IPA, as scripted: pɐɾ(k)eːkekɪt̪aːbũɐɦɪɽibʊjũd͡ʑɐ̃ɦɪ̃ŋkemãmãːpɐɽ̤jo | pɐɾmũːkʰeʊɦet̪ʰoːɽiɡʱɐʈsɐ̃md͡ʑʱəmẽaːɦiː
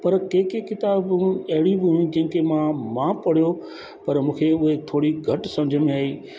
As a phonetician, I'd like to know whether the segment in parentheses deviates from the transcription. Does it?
no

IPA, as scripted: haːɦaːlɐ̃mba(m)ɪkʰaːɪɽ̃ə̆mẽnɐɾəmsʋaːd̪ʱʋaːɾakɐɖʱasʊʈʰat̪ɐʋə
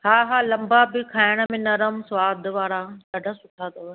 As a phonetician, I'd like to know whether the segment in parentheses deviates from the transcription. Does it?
yes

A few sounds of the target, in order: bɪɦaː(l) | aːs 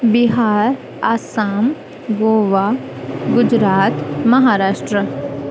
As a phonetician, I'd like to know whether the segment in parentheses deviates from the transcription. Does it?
yes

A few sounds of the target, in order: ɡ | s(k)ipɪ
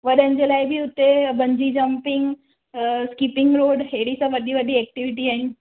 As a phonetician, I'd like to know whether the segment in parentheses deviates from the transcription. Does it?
no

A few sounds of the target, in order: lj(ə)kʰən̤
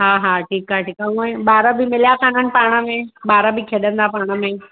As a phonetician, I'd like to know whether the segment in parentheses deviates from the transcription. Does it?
yes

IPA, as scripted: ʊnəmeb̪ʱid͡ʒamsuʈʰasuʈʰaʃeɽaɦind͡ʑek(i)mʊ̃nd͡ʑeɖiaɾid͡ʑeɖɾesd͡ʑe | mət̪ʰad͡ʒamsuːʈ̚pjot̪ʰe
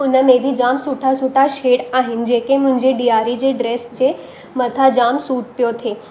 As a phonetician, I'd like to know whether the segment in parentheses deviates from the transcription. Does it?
yes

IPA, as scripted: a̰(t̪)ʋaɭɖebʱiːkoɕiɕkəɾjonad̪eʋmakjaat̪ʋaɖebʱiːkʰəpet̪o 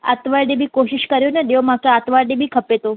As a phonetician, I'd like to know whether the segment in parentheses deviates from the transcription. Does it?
no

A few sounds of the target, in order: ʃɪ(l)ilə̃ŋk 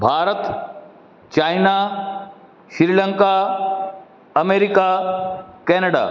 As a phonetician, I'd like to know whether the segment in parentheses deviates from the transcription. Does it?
yes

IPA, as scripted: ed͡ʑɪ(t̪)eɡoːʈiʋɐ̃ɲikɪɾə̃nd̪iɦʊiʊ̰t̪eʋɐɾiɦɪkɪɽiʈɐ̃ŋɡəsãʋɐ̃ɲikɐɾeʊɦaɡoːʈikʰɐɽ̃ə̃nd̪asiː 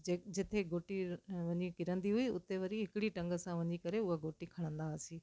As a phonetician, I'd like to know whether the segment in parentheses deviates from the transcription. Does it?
yes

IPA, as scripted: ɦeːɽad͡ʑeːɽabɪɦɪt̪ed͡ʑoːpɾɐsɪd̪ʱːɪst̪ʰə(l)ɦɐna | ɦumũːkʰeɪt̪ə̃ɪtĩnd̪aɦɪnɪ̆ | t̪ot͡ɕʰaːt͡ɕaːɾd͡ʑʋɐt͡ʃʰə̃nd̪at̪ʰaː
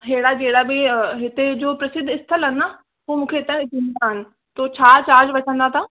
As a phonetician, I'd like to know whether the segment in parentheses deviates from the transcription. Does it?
no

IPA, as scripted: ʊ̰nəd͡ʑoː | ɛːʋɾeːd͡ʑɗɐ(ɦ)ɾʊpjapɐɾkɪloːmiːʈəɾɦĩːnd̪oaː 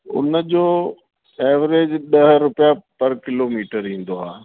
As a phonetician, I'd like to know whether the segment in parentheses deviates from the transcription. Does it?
no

